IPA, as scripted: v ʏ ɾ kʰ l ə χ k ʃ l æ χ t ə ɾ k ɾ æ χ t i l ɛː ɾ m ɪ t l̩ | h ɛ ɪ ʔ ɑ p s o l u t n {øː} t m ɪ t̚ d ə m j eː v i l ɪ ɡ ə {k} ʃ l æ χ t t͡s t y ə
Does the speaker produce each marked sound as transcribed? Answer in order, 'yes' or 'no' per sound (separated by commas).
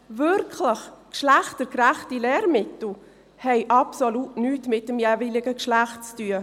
no, yes